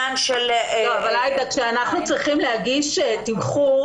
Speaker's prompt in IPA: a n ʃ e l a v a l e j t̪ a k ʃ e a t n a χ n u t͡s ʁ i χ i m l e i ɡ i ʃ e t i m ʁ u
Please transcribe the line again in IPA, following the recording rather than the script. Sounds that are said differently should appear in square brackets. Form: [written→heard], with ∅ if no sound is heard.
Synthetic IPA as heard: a n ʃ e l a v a l [e→a] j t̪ a k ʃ e a [t→∅] n a χ n u t͡s ʁ i χ i m l e [i→a] ɡ i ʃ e t i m [ʁ→χ] u